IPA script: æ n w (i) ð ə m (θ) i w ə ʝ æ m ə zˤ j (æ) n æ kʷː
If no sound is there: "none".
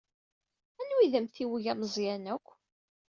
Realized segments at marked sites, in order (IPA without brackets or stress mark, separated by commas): i, θ, æ